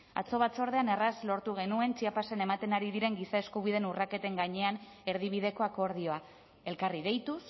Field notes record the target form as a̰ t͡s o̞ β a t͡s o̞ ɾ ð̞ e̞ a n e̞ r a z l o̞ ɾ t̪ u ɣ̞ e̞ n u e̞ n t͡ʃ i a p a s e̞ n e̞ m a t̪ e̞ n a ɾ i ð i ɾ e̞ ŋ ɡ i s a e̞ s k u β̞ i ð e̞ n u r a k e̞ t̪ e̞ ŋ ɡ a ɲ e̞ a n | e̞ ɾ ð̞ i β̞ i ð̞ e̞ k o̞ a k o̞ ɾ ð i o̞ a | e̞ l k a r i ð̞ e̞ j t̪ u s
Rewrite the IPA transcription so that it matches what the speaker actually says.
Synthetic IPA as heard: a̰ t͡s o̞ β a t͡s o̞ ɾ ð̞ e̞ a n e̞ r a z l o̞ ɾ t̪ u ɣ̞ e̞ n u e̞ n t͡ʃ i a p a s e̞ n e̞ m a t̪ e̞ n a ɾ i ð i ɾ e̞ ŋ ɡ i s a e̞ s k u β̞ i ð e̞ n u r a k e̞ t̪ e̞ ŋ ɡ a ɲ e̞ a n | e̞ ɾ ð̞ i β̞ i ð̞ e̞ k o̞ a k o̞ ɾ ð i o̞ a | e̞ l k a r i ð̞ e̞ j t̪ u s

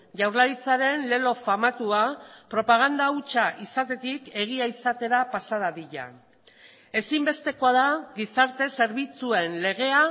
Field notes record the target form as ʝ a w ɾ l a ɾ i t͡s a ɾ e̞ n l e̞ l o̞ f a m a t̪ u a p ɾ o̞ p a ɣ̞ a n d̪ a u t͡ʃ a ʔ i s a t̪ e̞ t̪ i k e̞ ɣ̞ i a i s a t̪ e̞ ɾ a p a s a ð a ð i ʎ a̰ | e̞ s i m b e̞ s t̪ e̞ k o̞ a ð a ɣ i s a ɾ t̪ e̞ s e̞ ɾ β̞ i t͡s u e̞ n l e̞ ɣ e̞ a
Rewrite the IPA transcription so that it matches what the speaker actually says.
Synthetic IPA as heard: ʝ a w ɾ l a ɾ i t͡s a ɾ e̞ n l e̞ l o̞ f a m a t̪ u a p ɾ o̞ p a ɣ̞ a n d̪ a u t͡ʃ a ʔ i s a t̪ e̞ t̪ i k e̞ ɣ̞ i a i s a t̪ e̞ ɾ a p a s a ð a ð i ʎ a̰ | e̞ s i m b e̞ s t̪ e̞ k o̞ a ð a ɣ i s a ɾ t̪ e̞ s e̞ ɾ β̞ i t͡s u e̞ n l e̞ ɣ e̞ a

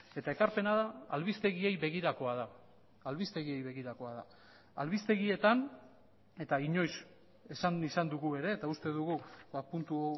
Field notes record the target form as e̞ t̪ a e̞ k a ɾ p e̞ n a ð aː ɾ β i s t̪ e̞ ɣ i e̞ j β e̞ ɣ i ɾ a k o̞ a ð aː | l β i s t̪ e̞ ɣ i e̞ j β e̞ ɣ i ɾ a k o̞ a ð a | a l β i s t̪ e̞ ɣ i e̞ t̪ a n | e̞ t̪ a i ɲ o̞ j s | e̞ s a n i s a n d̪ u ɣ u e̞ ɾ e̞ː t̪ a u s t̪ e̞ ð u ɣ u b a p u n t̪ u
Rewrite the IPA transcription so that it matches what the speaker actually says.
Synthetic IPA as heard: e̞ t̪ a e̞ k a ɾ p e̞ n a ð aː l β i s t̪ e̞ ɣ i e̞ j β e̞ ɣ i ɾ a k o̞ a ð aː | l β i s t̪ e̞ ɣ i e̞ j β e̞ ɣ i ɾ a k o̞ a ð a | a l β i s t̪ e̞ ɣ i e̞ t̪ a n | e̞ t̪ a i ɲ o̞ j s | e̞ s a n i s a n d̪ u ɣ u e̞ ɾ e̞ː t̪ a u s t̪ e̞ ð u ɣ u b a p u n t̪ u

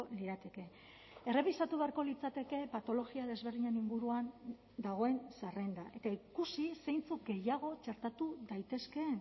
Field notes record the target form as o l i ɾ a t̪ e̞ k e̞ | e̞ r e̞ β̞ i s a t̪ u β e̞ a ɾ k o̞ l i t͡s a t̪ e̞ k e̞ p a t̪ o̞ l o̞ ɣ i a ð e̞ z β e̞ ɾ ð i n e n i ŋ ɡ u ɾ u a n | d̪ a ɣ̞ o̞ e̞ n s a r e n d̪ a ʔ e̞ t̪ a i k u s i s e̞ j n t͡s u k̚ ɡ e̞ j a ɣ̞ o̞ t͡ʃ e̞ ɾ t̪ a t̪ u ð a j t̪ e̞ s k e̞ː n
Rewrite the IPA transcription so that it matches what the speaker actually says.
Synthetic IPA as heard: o l i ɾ a t̪ e̞ k e̞ | e̞ r e̞ β̞ i s a t̪ u β e̞ a ɾ k o̞ l i t͡s a t̪ e̞ k e̞ p a t̪ o̞ l o̞ ɣ i a ð e̞ z β e̞ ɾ ð i ɲ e n i ŋ ɡ u ɾ u a n | d̪ a ɣ̞ o̞ e̞ n s a r e n d̪ a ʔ e̞ t̪ a i k u s i s e̞ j n t͡s u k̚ ɡ e̞ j a ɣ̞ o̞ t͡ʃ e̞ ɾ t̪ a t̪ u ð a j t̪ e̞ s k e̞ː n

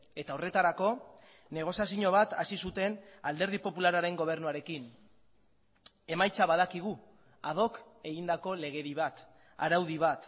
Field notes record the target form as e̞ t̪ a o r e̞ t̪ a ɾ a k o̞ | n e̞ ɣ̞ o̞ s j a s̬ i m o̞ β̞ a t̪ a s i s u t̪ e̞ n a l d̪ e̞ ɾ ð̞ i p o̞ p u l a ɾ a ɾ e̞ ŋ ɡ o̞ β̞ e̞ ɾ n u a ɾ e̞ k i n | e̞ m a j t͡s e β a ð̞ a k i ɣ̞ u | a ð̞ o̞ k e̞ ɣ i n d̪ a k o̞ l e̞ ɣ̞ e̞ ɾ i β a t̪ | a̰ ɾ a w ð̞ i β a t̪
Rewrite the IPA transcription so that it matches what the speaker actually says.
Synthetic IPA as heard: e̞ t̪ a o r e̞ t̪ a ɾ a k o̞ | n e̞ ɣ̞ o̞ s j a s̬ i ɲ o̞ β̞ a t̪ a s i s u t̪ e̞ n a l d̪ e̞ ɾ ð̞ i p o̞ p u l a ɾ a ɾ e̞ ŋ ɡ o̞ β̞ e̞ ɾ n u a ɾ e̞ k i n | e̞ m a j t͡s a β a ð̞ a k i ɣ̞ u | a ð̞ o̞ k e̞ ɣ i n d̪ a k o̞ l e̞ ɣ̞ e̞ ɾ i β a t̪ | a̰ ɾ a w ð̞ i β a t̪

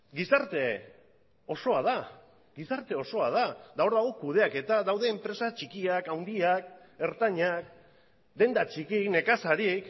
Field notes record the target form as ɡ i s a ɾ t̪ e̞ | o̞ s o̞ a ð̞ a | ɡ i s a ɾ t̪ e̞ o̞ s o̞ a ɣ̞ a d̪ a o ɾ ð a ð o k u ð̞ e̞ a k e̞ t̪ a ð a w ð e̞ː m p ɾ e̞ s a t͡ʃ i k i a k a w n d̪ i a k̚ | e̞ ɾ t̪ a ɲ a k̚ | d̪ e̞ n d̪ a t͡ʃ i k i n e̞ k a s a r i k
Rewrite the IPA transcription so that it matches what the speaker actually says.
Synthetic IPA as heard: ɡ i s a ɾ t̪ e̞ | o̞ s o̞ a ð̞ a | ɡ i s a ɾ t̪ e̞ o̞ s o̞ a ð̞ a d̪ a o ɾ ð a ɣ o k u ð̞ e̞ a k e̞ t̪ a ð a w ð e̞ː m p ɾ e̞ s a t͡ʃ i k i a k a w n d̪ i a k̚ | e̞ ɾ t̪ a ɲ a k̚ | d̪ e̞ n d̪ a t͡ʃ i k i n e̞ k a s a ɾ i k

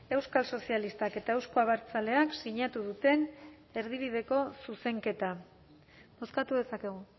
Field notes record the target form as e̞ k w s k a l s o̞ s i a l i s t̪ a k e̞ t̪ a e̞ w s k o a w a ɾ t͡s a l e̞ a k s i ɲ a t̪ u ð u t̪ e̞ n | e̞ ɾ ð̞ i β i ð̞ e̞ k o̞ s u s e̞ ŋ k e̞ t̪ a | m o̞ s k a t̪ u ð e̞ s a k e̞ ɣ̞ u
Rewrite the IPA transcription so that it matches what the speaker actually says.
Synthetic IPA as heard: e̞ w s k a l s o̞ s i a l i s t̪ a k e̞ t̪ a e̞ w s k o a β a ɾ t͡s a l e̞ a k s i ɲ a t̪ u ð u t̪ e̞ n | e̞ ɾ ð̞ i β i ð̞ e̞ k o̞ s u s e̞ ŋ k e̞ t̪ a | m o̞ s k a t̪ u ð e̞ s a k e̞ ɣ̞ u

